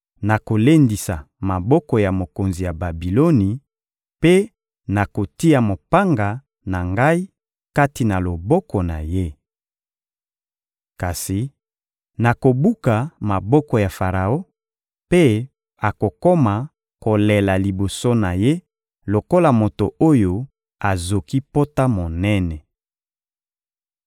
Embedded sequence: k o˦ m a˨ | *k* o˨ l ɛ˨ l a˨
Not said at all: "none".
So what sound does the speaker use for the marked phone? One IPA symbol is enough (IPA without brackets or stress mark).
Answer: k